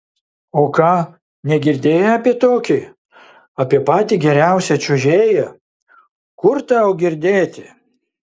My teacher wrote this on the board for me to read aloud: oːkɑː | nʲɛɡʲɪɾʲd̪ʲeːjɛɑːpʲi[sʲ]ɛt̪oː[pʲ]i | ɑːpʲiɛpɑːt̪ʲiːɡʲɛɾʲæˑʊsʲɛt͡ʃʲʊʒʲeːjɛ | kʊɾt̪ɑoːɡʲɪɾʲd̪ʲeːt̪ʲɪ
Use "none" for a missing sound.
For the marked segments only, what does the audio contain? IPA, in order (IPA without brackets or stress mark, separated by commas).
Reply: none, kʲ